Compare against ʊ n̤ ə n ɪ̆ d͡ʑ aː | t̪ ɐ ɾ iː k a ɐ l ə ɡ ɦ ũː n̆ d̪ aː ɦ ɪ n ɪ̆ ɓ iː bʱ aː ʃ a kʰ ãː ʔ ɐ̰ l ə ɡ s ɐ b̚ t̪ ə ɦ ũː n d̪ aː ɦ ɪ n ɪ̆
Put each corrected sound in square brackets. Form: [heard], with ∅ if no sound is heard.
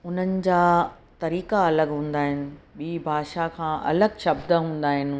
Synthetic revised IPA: ʊ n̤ ə n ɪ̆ d͡ʑ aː | t̪ ɐ ɾ iː k a ɐ l ə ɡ ɦ ũː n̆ d̪ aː ɦ ɪ n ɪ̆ ɓ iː bʱ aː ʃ a kʰ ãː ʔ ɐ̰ l ə ɡ [ʃ] ɐ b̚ [d̪] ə ɦ ũː n d̪ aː ɦ ɪ n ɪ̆